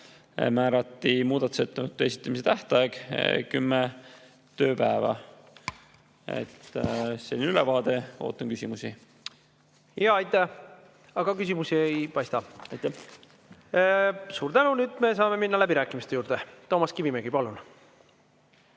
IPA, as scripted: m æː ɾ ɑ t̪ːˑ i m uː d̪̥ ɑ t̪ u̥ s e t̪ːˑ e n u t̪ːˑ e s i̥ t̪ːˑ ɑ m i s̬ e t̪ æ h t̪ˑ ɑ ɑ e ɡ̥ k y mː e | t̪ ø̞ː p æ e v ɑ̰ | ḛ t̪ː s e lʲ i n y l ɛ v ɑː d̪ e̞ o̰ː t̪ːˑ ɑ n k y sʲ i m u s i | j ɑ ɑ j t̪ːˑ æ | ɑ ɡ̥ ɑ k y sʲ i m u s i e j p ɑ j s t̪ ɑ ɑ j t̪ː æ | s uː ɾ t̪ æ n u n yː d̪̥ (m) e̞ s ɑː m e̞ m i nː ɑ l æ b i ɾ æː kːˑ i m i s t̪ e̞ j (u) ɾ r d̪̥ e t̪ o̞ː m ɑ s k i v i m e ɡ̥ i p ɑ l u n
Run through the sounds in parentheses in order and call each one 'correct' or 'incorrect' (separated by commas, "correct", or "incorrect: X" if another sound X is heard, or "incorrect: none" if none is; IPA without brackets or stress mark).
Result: correct, incorrect: uː